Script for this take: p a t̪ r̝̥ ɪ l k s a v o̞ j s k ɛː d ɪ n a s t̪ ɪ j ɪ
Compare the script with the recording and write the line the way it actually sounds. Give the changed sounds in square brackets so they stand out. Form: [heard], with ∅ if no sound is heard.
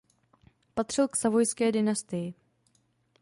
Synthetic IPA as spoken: p a t̪ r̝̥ ɪ l k s a v o̞ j s k ɛː d ɪ n a s t̪ ɪ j ɪ